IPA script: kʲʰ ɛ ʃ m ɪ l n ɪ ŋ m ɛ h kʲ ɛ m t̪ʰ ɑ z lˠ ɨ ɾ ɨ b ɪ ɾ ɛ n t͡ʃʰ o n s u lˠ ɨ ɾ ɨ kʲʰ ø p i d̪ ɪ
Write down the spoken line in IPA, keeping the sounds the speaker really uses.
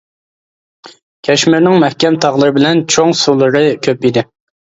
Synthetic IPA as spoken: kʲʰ ɛ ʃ m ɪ ɾ n ɪ ŋ m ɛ h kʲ ɛ m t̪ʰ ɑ ʁ lˠ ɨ ɾ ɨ b ɪ l ɛ n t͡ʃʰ o ŋ s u lˠ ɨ ɾ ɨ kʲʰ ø p i d̪ ɪ

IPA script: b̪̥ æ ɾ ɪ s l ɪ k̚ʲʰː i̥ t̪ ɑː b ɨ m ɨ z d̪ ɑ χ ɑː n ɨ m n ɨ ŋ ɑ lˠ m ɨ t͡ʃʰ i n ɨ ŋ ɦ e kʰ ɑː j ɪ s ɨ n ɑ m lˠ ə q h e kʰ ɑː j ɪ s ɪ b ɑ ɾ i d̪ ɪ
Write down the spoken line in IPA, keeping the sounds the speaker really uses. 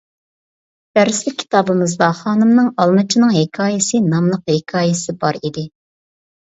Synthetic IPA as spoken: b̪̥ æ ɾ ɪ s l ɪ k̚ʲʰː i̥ t̪ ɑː b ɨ m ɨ z d̪ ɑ χ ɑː n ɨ m n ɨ ŋ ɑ lˠ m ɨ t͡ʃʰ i n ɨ ŋ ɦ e kʰ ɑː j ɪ s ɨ n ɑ m lˠ ə q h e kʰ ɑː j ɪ s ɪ b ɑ ɾ i d̪ ɪ

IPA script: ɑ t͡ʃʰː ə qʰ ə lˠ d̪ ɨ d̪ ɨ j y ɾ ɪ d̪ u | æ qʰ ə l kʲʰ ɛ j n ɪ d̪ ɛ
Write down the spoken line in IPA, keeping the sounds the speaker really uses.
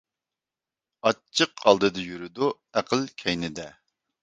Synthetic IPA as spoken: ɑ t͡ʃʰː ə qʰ ɑ lˠ d̪ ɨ d̪ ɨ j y ɾ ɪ d̪ u | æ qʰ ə l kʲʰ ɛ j n ɪ d̪ ɛ

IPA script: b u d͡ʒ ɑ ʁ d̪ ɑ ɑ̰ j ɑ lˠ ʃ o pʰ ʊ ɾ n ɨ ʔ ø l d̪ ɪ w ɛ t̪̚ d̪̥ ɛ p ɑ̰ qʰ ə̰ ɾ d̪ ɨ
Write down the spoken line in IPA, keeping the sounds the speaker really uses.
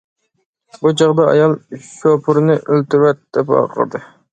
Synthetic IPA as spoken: b u d͡ʒ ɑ ʁ d̪ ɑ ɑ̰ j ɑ lˠ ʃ o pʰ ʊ ɾ n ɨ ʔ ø l t̪ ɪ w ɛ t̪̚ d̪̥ ɛ p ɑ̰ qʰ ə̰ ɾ d̪ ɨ

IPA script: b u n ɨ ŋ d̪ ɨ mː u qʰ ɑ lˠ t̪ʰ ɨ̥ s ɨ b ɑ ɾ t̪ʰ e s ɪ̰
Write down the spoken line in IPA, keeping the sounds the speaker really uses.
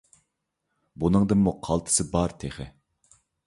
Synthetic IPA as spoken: b u n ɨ ŋ d̪ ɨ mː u qʰ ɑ lˠ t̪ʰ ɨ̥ s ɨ b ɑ ɾ t̪ʰ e χ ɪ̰

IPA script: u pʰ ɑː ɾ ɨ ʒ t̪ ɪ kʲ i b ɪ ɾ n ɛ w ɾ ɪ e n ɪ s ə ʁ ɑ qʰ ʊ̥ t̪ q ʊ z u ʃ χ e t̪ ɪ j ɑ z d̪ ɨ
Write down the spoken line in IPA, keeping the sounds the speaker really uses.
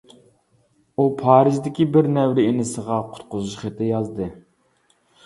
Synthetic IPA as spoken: u pʰ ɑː ɾ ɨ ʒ d̪ ɪ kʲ i b ɪ ɾ n ɛ w ɾ ɪ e n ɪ s ə ʁ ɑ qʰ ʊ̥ t̪ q ʊ z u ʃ χ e t̪ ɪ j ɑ z d̪ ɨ

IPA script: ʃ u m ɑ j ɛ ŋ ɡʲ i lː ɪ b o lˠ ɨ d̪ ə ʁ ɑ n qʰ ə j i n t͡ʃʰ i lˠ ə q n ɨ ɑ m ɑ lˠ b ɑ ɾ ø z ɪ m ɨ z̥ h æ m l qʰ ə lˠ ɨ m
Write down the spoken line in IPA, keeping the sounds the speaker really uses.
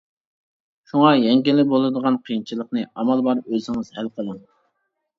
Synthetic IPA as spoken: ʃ u ŋ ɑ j ɛ ŋ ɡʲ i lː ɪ b o lˠ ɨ d̪ ə ʁ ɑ n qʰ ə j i n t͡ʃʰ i lˠ ə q n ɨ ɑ m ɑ lˠ b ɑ ɾ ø z ɪ ŋ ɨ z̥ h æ l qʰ ə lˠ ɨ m

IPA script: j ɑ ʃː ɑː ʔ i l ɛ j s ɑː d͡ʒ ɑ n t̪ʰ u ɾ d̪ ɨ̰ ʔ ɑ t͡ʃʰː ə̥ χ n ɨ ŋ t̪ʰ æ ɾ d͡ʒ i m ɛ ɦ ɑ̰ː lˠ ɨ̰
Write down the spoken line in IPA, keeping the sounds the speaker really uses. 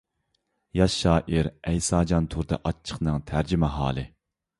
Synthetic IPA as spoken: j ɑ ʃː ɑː ʔ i ɾ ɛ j s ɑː d͡ʒ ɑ n t̪ʰ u ɾ d̪ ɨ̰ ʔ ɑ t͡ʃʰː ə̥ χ n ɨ ŋ t̪ʰ æ ɾ d͡ʒ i m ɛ ɦ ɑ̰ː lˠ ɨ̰

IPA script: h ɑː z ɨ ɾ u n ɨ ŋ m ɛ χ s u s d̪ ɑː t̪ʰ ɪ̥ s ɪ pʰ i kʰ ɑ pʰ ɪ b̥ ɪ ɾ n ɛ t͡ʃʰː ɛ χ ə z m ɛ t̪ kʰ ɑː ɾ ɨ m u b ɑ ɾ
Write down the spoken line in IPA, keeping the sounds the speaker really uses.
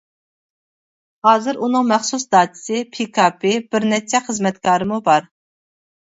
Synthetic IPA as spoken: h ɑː z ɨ ɾ u n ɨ ŋ m ɛ χ s u s d̪ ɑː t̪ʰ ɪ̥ s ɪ pʰ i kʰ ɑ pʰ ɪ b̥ ɪ ɾ n ɛ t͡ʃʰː ɛ χ ə z m ɛ t̪ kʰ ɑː ɾ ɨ m u b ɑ ɾ

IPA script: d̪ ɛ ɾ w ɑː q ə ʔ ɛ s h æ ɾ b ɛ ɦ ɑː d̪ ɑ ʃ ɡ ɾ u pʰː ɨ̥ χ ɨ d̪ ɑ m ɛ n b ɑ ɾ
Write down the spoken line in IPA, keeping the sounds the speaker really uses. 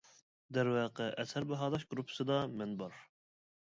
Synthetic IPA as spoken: d̪ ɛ ɾ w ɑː q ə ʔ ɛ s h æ ɾ b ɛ ɦ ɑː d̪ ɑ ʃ ɡ ɾ u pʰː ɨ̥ s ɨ d̪ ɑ m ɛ n b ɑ ɾ

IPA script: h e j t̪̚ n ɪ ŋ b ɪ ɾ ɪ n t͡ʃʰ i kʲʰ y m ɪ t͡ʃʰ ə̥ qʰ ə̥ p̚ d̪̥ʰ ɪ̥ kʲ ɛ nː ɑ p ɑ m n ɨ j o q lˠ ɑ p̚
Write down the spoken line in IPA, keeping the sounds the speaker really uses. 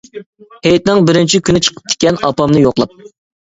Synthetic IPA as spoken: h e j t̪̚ n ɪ ŋ b ɪ ɾ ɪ n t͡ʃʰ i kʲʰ y n ɪ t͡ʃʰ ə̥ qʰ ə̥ p̚ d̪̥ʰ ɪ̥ kʲ ɛ n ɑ p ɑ m n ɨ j o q lˠ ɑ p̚

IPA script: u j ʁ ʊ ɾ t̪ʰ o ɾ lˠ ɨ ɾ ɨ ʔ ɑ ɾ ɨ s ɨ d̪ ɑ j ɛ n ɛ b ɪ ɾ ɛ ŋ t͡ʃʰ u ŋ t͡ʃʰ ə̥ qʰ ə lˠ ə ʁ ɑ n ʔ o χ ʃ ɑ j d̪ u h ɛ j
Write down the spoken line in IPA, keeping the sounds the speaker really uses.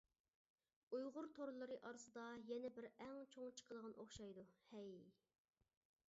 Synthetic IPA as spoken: u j ʁ ʊ ɾ t̪ʰ o ɾ lˠ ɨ ɾ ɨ ʔ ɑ ɾ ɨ s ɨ d̪ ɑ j ɛ n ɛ b ɪ ɾ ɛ ŋ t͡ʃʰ o ŋ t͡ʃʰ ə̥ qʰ ə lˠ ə ʁ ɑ n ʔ o χ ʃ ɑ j d̪ u h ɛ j

